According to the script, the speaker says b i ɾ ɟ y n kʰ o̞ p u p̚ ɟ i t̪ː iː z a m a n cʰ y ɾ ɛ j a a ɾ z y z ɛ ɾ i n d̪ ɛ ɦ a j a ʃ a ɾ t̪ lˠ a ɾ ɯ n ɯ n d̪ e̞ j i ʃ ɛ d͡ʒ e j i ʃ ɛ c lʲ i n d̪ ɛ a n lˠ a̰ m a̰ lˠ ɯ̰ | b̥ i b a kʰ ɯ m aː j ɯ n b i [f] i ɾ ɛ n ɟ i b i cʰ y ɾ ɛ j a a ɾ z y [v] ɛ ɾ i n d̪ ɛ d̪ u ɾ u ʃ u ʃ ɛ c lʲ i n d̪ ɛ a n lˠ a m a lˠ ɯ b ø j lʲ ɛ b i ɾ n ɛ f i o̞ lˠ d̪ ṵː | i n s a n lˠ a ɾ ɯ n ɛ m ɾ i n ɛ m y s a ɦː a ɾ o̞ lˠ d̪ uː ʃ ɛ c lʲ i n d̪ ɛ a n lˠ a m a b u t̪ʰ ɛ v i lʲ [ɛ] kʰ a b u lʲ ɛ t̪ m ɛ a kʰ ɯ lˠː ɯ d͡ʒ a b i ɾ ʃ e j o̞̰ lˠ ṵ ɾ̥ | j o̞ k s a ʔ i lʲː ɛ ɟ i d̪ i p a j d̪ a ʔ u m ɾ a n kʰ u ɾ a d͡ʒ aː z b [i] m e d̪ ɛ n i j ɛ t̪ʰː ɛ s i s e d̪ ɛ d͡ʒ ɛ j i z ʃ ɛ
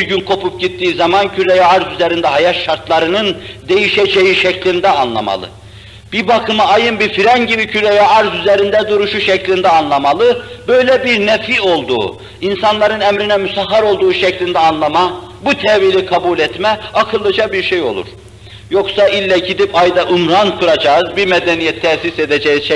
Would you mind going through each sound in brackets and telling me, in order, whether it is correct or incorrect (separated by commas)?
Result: correct, incorrect, incorrect, correct